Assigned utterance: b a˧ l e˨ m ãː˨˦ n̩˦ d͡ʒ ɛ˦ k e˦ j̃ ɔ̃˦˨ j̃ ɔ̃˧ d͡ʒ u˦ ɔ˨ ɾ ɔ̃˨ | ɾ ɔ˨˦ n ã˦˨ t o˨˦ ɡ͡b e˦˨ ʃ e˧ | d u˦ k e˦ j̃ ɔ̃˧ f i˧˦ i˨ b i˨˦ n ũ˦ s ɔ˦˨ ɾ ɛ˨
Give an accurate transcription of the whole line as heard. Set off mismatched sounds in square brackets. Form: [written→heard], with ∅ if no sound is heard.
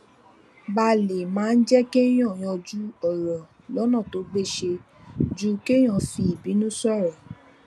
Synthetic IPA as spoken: b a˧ l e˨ m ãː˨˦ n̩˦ d͡ʒ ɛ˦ k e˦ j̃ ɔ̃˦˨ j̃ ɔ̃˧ d͡ʒ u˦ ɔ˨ ɾ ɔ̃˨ | [ɾ→l] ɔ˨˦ n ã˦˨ t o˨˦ ɡ͡b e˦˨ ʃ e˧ | [d→d͡ʒ] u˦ k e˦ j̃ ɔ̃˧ f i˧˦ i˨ b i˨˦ n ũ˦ s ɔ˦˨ ɾ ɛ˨